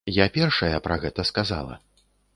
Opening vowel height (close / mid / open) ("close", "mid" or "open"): open